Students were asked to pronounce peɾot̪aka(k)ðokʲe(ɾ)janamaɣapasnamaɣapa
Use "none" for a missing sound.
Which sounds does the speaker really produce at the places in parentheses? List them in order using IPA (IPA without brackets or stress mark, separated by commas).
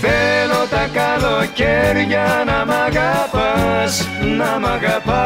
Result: none, ɾ